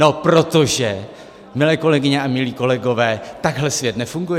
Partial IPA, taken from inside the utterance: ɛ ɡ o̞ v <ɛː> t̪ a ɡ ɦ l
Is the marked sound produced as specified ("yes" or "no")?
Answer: yes